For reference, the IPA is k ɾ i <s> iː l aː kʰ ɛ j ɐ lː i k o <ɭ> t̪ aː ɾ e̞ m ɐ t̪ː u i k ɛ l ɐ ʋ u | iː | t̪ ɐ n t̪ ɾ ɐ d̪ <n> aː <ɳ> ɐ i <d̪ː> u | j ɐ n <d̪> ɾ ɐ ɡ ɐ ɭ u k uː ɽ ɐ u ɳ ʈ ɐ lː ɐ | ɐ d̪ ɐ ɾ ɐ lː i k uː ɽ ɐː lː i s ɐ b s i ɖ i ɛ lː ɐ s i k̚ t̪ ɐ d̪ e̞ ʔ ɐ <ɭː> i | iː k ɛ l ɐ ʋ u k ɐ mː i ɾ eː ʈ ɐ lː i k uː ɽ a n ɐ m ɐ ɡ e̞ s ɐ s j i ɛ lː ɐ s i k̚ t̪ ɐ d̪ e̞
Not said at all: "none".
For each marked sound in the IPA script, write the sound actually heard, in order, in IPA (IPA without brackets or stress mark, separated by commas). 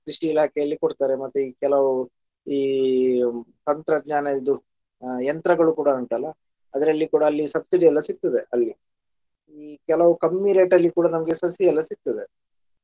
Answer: ʂ, ɽ, ɲ, n, d̪, t̪, lː